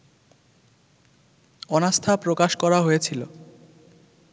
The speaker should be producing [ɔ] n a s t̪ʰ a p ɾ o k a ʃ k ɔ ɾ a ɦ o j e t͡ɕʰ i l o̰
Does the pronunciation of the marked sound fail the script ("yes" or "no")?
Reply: no